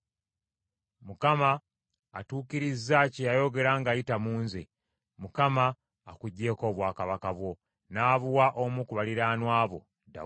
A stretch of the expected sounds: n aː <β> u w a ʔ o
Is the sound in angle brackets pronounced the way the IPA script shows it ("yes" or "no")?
yes